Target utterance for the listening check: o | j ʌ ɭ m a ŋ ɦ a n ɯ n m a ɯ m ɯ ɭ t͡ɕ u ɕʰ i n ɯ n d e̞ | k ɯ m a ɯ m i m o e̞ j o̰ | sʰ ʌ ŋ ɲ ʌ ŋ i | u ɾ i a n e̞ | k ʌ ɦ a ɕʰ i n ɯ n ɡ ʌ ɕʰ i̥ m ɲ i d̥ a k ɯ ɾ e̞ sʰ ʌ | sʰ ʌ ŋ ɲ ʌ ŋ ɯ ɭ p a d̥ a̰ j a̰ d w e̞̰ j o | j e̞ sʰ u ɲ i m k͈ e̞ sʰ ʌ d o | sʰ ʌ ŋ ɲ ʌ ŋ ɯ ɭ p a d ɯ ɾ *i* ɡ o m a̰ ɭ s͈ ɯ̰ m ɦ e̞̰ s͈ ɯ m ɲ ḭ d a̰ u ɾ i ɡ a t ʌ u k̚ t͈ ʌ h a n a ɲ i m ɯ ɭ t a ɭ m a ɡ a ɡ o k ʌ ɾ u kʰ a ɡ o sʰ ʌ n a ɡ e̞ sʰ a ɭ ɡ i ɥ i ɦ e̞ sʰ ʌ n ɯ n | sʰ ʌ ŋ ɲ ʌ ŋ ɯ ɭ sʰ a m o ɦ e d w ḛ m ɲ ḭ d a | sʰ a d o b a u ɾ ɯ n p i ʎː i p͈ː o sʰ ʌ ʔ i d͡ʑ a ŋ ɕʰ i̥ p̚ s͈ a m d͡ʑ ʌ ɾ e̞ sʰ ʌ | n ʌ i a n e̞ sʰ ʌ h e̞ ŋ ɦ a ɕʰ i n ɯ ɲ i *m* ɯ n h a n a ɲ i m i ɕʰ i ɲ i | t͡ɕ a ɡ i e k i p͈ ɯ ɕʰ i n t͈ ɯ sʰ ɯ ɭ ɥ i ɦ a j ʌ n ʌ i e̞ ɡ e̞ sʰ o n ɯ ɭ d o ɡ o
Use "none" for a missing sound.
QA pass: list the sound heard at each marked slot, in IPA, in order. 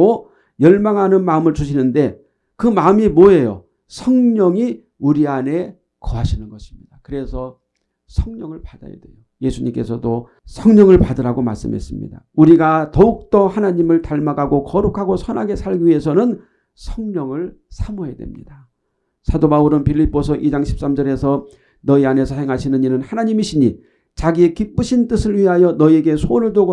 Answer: a, n

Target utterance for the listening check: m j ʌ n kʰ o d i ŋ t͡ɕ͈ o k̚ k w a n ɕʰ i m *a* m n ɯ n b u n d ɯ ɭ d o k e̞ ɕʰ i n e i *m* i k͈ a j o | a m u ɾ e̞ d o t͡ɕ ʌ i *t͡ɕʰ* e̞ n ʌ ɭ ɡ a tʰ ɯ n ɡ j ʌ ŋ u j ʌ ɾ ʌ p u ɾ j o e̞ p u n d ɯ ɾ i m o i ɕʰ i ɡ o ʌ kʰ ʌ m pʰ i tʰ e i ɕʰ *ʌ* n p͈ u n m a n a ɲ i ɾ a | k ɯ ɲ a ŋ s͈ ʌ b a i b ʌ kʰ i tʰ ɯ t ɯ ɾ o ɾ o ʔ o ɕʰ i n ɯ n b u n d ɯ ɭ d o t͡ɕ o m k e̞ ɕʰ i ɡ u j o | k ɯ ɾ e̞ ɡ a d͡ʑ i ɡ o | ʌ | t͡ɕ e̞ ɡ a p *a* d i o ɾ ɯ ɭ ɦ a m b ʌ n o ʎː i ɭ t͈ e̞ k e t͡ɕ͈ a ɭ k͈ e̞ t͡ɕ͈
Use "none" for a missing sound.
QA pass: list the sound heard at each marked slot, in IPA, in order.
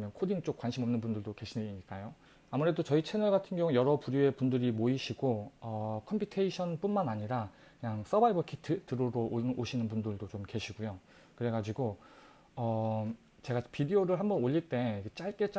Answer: ʌ, ɲ, t͡ɕʰ, ʌ, i

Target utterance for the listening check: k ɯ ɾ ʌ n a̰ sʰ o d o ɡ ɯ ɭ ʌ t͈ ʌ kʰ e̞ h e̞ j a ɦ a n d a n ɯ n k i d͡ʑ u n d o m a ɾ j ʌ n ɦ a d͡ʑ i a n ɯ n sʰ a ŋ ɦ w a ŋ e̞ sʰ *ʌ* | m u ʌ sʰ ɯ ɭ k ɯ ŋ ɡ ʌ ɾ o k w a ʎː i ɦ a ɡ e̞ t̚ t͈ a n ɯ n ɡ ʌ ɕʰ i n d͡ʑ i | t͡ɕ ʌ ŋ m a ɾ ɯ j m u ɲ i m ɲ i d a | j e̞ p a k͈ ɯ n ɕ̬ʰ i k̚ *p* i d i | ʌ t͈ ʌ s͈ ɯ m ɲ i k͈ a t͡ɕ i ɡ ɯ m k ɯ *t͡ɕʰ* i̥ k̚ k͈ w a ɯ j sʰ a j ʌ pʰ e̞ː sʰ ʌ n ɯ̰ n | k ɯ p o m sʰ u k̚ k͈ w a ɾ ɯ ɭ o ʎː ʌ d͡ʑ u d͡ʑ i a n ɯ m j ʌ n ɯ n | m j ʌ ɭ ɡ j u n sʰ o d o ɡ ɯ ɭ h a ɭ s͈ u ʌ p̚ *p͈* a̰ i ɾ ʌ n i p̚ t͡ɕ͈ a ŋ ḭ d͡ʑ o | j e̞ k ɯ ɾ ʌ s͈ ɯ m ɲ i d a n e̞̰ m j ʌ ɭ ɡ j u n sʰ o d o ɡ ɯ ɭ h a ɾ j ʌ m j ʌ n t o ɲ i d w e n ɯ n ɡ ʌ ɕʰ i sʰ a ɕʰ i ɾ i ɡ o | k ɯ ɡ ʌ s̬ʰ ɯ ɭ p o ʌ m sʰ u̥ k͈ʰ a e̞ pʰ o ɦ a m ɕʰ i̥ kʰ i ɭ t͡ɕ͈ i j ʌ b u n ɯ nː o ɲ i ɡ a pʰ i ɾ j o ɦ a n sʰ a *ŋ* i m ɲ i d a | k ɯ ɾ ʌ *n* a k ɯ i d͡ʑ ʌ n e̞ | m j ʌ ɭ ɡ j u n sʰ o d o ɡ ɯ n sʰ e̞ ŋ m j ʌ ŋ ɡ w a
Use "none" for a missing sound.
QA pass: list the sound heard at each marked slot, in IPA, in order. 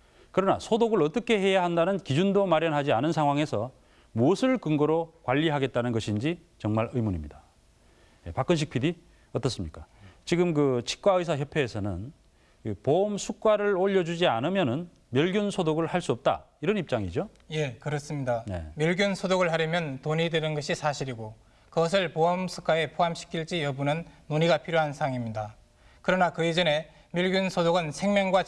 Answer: ʌ, pʰ, t͡ɕʰ, t͈, ŋ, n

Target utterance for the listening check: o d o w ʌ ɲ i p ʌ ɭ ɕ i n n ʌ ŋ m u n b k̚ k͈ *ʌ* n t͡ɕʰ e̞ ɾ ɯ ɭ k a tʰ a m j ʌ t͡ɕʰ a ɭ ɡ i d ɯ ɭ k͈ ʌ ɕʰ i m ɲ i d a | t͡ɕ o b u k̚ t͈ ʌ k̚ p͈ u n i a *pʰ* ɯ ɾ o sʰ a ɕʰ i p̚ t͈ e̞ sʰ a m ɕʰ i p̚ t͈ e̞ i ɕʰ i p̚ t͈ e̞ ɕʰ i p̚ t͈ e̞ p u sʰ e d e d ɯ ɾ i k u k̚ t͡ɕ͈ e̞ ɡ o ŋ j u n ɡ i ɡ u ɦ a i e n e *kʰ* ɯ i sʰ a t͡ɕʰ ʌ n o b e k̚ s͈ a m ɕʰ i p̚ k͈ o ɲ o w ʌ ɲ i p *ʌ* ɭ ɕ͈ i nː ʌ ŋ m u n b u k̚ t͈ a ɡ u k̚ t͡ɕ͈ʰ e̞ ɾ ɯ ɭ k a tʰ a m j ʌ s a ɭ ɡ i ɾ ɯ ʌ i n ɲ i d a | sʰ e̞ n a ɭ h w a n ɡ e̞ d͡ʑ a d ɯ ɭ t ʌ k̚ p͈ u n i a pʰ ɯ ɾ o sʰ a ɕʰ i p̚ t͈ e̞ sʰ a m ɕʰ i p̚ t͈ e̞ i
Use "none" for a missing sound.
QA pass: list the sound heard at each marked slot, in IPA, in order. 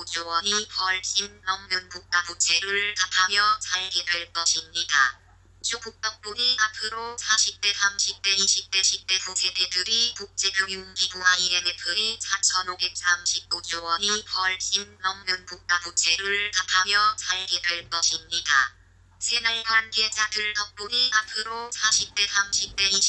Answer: a, pʰ, pʰ, ʌ

